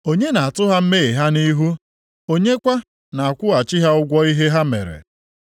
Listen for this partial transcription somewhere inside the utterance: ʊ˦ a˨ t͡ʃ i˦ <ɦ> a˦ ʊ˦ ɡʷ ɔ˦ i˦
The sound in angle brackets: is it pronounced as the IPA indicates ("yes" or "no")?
yes